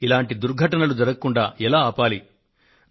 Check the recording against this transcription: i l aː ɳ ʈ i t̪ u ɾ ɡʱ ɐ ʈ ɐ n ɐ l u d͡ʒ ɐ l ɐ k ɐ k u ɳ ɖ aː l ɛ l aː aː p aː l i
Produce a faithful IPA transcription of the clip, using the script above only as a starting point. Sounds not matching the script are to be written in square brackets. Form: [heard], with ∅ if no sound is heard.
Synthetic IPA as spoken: i l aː ɳ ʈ i [d̪] u ɾ ɡʱ ɐ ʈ ɐ n ɐ l u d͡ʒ ɐ [ɾ] ɐ k ɐ k u ɳ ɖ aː [∅] ɛ l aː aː p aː l i